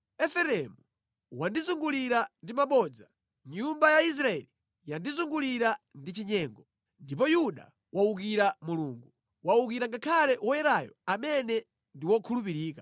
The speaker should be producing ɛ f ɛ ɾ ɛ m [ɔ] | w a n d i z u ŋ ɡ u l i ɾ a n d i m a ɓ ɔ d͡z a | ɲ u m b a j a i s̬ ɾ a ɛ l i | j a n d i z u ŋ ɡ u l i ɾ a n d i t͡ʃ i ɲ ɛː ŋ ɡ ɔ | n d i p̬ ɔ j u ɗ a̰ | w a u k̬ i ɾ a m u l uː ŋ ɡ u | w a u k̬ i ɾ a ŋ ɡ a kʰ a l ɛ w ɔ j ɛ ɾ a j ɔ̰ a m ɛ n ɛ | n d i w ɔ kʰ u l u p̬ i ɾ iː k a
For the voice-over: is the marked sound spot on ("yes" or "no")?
no